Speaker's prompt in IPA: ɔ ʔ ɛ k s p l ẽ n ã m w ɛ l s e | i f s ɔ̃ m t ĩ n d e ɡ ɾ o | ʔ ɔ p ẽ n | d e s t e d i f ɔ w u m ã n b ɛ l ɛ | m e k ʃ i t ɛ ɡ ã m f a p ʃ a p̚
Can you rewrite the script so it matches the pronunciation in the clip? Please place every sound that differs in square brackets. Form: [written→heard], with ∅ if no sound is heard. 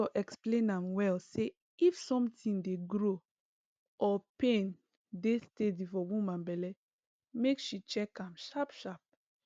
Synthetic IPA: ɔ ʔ ɛ k s p l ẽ n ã m w ɛ l s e | i f s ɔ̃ m t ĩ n d e ɡ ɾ o | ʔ ɔ p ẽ n | d e s t e d i f ɔ w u m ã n b ɛ l ɛ | m e k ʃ i [t→t͡ʃ] ɛ [ɡ→k] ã m [f→ʃ] a p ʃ a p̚